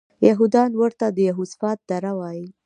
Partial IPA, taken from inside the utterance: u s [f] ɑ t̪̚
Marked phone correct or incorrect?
correct